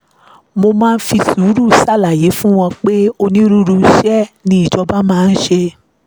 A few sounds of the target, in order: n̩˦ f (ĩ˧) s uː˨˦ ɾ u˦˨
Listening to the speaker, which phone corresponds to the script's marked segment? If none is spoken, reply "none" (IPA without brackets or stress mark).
i˧